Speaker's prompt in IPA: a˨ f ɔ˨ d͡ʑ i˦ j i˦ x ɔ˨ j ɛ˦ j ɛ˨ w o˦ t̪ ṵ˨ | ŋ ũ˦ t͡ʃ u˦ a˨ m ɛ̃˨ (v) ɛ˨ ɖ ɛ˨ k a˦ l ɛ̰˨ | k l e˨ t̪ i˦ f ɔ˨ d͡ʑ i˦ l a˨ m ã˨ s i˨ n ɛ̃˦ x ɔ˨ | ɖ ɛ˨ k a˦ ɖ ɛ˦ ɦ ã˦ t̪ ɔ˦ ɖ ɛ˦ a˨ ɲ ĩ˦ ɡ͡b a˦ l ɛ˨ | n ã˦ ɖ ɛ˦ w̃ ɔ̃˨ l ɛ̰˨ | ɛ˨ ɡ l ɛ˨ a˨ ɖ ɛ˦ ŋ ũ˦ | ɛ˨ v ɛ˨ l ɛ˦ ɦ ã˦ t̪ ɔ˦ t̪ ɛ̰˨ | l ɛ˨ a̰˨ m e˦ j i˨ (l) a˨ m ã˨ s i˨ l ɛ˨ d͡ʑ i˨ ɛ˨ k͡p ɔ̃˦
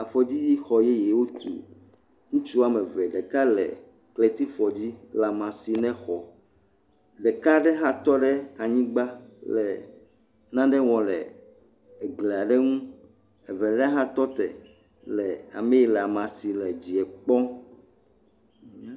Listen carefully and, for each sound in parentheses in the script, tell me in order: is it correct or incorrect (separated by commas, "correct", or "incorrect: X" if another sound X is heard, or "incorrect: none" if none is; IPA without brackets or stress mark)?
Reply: correct, correct